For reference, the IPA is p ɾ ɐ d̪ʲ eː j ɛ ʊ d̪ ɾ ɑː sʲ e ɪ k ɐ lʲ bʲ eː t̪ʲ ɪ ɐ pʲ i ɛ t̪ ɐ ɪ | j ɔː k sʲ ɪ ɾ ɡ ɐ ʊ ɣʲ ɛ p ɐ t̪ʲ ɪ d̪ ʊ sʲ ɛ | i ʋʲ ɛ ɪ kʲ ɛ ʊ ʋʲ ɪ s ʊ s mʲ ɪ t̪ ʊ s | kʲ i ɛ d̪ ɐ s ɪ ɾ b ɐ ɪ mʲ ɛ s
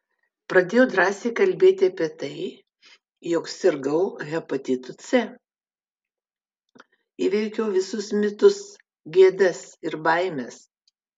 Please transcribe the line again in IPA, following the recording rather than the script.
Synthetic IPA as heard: p ɾ ɐ d̪ʲ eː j ɛ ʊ d̪ ɾ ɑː sʲ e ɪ k ɐ lʲ bʲ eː t̪ʲ ɪ ɐ pʲ i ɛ t̪ ɐ ɪ | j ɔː k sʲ ɪ ɾ ɡ ɐ ʊ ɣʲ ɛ p ɐ t̪ʲ ɪ t̪ ʊ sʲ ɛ | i ʋʲ ɛ ɪ kʲ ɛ ʊ ʋʲ ɪ s ʊ s mʲ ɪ t̪ ʊ s | ɡʲ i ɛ d̪ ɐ s ɪ ɾ b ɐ ɪ mʲ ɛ s

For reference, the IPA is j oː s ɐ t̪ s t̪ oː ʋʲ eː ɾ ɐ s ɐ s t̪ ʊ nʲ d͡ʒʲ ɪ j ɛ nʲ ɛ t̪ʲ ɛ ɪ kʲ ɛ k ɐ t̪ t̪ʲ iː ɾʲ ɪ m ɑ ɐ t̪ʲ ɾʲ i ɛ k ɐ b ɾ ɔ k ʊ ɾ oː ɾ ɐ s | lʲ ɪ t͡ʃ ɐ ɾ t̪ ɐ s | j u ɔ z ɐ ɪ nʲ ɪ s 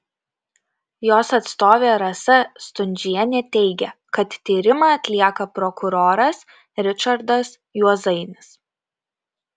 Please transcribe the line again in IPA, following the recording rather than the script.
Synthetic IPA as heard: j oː s ɐ t̪ s t̪ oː ʋʲ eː ɾ ɐ s ɐ s t̪ ʊ nʲ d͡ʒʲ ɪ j ɛ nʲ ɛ t̪ʲ ɛ ɪ ɡʲ ɛ k ɐ t̪ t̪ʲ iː ɾʲ ɪ m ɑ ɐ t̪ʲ lʲ i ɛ k ɐ p ɾ ɔ k ʊ ɾ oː ɾ ɐ s | ɾʲ ɪ t͡ʃ ɐ ɾ d̪ ɐ s | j u ɔ z ɐ ɪ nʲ ɪ s

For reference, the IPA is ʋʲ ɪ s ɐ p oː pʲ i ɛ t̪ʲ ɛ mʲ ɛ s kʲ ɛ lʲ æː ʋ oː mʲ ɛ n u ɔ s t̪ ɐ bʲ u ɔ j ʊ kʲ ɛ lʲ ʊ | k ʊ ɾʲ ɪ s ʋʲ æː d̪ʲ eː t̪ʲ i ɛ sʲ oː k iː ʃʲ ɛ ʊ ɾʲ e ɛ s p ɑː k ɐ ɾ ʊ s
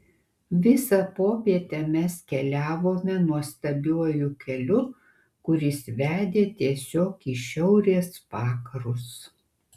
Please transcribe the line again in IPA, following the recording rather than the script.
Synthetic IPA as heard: ʋʲ ɪ s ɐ p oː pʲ i ɛ t̪ʲ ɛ mʲ ɛ s kʲ ɛ lʲ æː ʋ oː mʲ ɛ n u ɔ s t̪ ɐ bʲ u ɔ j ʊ kʲ ɛ lʲ ʊ | k ʊ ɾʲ ɪ s ʋʲ æː d̪ʲ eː t̪ʲ i ɛ sʲ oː k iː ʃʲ ɛ ʊ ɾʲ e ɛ s p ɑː k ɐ ɾ ʊ s

